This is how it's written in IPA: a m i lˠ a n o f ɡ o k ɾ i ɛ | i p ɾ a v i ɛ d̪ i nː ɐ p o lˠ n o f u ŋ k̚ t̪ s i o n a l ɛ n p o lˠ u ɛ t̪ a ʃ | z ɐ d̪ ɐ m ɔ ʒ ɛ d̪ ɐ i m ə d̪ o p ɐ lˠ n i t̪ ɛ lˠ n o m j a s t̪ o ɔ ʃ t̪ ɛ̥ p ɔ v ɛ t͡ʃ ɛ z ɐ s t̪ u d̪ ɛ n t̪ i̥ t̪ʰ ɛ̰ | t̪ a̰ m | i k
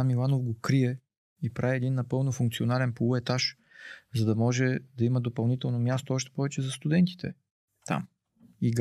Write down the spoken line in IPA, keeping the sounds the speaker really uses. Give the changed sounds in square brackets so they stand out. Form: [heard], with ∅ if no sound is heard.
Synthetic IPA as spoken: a m i lˠ a n o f ɡ o k ɾ i ɛ | i p ɾ a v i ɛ d̪ i nː ɐ p [ɤ] lˠ n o f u ŋ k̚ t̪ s i o n a l ɛ n p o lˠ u ɛ t̪ a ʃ | z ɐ d̪ ɐ m ɔ ʒ ɛ d̪ ɐ i m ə d̪ o p ɐ lˠ n i t̪ ɛ lˠ n o m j a s t̪ o ɔ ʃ t̪ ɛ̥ p ɔ v ɛ t͡ʃ ɛ z ɐ s t̪ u d̪ ɛ n t̪ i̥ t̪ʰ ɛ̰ | t̪ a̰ m | i [ɡ]